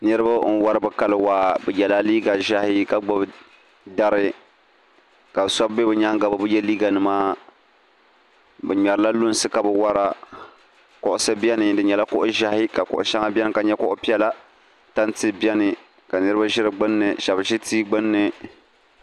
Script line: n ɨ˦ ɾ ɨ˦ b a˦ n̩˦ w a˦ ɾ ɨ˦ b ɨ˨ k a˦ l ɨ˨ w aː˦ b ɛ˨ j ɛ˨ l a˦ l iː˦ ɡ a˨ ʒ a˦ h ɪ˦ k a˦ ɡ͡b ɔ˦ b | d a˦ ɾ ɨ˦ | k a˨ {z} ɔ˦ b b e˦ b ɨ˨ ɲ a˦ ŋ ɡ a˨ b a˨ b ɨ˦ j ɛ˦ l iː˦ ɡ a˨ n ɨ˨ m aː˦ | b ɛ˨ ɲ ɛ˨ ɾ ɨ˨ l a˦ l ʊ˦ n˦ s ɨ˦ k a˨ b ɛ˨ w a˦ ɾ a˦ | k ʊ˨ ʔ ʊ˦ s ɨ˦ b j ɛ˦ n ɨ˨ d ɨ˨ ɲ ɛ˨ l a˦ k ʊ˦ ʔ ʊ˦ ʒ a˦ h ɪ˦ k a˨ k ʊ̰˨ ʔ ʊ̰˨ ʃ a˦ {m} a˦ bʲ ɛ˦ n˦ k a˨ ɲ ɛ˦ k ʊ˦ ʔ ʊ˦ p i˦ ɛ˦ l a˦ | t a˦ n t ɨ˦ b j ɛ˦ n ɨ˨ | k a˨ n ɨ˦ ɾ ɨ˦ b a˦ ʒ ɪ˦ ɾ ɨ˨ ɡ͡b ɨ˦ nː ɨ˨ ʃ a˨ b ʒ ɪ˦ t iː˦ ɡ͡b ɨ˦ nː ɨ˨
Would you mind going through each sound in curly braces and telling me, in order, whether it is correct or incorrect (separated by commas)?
incorrect, incorrect